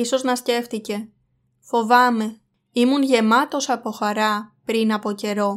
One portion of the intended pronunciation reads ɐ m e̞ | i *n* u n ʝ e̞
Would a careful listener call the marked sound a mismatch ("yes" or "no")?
yes